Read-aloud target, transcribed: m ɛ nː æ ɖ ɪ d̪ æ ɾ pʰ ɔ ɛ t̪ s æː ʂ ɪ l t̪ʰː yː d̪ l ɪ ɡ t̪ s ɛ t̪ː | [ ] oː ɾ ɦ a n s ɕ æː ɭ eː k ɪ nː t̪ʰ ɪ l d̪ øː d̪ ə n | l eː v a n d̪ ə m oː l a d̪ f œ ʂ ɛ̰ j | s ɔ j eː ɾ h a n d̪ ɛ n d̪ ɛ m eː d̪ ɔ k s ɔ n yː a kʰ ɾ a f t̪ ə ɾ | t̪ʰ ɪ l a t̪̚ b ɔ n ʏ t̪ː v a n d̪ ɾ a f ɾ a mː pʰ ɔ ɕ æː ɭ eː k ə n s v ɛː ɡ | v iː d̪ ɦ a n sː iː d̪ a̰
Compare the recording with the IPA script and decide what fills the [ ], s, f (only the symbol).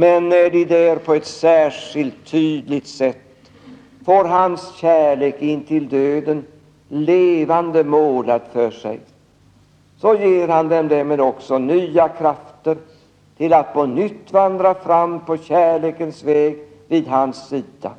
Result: f